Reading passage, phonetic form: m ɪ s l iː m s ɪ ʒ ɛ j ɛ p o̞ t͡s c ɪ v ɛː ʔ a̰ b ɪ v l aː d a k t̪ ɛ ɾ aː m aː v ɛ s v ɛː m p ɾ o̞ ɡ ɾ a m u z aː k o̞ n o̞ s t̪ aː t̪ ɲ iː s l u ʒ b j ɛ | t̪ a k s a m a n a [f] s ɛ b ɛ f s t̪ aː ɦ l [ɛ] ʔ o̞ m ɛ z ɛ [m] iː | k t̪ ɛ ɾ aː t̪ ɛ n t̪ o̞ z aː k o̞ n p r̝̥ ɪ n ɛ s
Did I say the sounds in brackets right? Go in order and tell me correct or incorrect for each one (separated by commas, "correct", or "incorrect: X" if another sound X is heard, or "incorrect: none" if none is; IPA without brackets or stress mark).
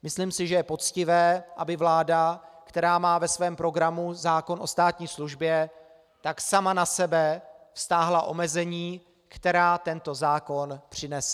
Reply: incorrect: none, incorrect: a, incorrect: ɲ